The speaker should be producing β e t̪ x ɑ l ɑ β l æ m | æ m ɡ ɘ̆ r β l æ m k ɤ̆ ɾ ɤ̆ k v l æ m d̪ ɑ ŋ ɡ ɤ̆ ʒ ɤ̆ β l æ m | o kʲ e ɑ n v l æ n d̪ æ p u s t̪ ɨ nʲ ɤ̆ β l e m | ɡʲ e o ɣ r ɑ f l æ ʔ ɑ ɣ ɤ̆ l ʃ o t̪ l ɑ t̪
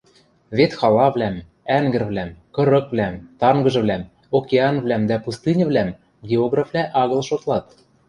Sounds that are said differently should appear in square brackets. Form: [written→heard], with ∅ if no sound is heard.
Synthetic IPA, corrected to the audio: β e t̪ x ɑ l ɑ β l æ m | æ [m→ŋ] ɡ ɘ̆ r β l æ m k ɤ̆ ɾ ɤ̆ k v l æ m [d̪→t̪] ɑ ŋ ɡ ɤ̆ ʒ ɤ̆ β l æ m | o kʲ e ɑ n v l æ [n→m] d̪ æ p u s t̪ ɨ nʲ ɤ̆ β l [e→æ] m | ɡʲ e o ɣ r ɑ f l æ ʔ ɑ ɣ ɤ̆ l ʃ o t̪ l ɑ t̪

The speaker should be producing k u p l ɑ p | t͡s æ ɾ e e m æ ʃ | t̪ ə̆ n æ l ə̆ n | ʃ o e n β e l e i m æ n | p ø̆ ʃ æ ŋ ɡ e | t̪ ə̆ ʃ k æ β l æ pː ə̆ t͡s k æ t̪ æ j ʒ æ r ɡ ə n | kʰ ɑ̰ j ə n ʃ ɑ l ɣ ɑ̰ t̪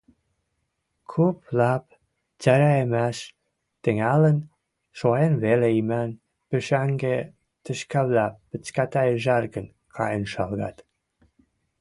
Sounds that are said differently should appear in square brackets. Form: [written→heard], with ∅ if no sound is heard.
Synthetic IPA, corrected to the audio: [k→kʰ] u p l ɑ p | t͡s æ ɾ [e→æ] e m æ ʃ | t̪ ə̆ [n→ŋ] æ l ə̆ n | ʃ o e n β e l e i m æ n | p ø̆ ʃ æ ŋ ɡ e | t̪ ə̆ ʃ k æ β l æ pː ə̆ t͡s k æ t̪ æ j ʒ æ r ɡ ə n | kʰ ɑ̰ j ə n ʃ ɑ l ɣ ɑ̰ t̪

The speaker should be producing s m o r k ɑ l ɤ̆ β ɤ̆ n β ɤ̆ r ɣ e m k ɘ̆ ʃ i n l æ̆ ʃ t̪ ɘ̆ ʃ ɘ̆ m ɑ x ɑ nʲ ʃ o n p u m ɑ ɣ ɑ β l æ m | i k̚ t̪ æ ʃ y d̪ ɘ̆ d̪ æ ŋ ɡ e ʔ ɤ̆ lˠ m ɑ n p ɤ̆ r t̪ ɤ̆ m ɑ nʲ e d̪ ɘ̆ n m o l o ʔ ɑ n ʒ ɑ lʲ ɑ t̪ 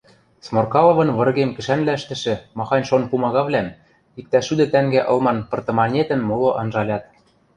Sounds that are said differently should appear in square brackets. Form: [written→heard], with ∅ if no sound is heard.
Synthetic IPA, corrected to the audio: s m o r k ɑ l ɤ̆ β ɤ̆ n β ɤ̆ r ɣ e m k ɘ̆ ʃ [i→æ] n l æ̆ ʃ t̪ ɘ̆ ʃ ɘ̆ m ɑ x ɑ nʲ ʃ o n p u m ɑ ɣ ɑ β l æ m | i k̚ t̪ æ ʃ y d̪ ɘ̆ [d̪→t̪] æ ŋ ɡ [e→æ] ʔ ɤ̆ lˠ m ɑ n p ɤ̆ r t̪ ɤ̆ m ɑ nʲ e [d̪→t̪] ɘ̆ n m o l o ʔ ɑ n ʒ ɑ lʲ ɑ t̪

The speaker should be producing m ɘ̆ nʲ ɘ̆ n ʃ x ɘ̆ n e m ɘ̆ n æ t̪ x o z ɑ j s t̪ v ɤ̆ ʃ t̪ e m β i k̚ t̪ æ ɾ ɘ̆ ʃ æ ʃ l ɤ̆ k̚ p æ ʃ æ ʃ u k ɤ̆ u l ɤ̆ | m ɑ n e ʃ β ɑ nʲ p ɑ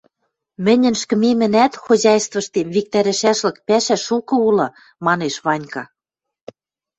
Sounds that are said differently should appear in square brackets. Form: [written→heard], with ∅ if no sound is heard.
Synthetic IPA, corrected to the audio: m ɘ̆ nʲ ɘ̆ n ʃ [x→k] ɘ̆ [n→m] e m ɘ̆ n æ t̪ x o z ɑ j s t̪ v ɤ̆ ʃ t̪ e m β i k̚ t̪ æ ɾ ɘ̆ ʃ æ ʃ l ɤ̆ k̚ p æ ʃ æ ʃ u k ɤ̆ u l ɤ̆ | m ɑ n e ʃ β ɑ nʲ [p→k] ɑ

